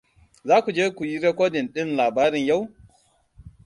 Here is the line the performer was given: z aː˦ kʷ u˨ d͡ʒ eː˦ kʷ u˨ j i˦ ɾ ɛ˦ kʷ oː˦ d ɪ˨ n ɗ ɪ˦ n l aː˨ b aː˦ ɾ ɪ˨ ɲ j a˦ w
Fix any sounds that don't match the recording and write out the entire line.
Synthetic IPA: z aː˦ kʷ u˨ d͡ʒ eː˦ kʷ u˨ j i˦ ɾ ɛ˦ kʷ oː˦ d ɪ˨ n ɗ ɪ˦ n l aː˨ b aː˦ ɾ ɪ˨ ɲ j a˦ w